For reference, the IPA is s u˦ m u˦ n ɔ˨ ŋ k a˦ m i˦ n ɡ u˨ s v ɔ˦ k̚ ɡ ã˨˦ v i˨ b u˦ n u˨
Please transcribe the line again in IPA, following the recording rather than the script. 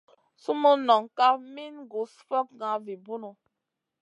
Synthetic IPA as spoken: s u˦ m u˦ n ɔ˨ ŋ k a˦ m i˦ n ɡ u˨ s f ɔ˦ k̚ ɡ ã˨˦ v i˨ b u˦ n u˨